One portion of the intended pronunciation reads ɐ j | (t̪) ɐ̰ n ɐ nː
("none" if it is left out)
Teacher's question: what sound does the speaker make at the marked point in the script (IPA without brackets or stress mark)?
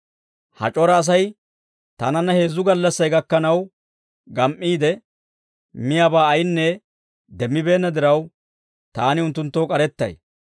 t̪